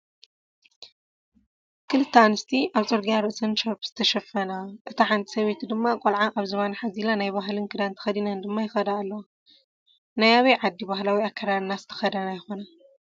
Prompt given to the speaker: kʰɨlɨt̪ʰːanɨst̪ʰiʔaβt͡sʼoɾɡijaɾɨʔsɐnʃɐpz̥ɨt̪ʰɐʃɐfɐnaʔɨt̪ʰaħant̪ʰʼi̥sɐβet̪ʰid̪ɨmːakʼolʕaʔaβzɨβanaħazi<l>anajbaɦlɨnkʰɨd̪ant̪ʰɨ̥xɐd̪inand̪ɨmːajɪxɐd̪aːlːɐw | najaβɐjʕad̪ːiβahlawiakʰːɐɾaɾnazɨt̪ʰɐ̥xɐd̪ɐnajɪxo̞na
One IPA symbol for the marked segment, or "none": l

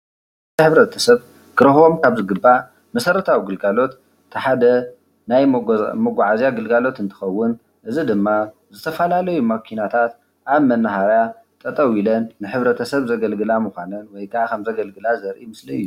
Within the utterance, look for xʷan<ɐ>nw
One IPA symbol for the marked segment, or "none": ɐ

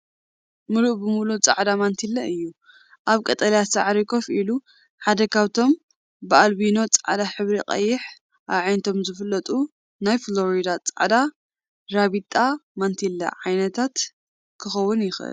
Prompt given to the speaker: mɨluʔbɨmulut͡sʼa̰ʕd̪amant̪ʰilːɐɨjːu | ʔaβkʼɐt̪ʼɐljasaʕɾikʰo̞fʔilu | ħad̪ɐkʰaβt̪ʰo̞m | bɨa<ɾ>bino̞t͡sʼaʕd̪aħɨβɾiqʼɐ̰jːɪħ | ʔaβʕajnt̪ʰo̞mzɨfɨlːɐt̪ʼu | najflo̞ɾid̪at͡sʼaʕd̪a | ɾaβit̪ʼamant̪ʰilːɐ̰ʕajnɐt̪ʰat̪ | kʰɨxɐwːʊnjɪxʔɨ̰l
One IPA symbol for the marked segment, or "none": l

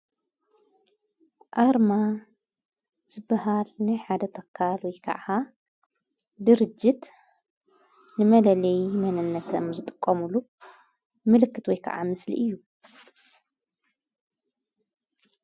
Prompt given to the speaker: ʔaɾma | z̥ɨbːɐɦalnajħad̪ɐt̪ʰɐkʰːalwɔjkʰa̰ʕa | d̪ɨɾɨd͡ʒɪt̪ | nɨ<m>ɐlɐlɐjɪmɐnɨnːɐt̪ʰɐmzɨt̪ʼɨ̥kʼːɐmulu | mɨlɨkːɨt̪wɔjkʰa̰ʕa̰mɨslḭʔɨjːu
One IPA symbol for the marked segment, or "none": m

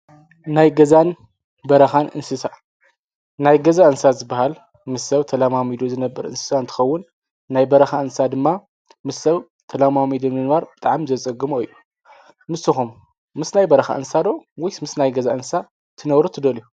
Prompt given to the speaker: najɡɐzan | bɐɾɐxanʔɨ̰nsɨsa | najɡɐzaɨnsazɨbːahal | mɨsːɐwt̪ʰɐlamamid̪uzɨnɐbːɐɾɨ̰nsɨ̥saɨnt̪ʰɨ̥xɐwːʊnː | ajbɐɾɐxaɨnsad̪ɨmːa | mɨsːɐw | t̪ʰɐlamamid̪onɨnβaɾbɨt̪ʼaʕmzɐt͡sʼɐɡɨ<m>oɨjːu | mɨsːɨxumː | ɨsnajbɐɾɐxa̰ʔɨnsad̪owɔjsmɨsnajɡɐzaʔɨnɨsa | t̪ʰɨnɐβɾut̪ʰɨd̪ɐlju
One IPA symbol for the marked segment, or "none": m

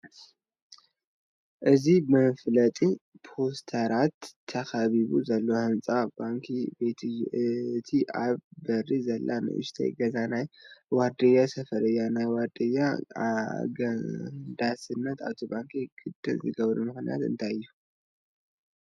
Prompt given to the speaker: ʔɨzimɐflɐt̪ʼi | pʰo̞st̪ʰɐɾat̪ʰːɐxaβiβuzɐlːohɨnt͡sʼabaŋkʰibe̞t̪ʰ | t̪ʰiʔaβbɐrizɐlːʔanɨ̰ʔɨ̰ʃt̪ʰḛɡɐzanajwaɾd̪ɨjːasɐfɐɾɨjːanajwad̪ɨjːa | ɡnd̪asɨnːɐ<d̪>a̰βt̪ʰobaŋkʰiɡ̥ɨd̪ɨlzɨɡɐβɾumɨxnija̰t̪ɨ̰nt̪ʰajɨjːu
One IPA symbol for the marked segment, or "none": t̪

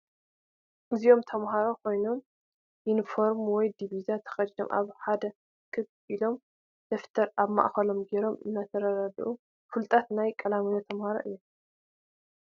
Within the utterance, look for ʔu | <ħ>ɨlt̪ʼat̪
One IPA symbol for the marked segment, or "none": f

